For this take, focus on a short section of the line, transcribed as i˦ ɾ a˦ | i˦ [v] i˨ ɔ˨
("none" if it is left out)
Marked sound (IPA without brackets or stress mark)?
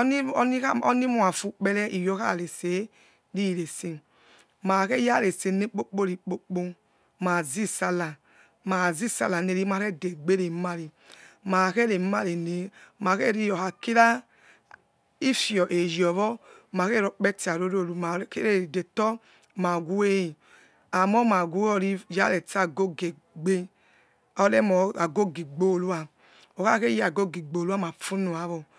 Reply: f